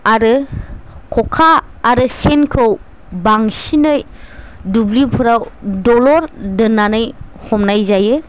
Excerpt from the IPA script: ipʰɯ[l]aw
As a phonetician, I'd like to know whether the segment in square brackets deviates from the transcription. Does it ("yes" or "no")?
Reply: yes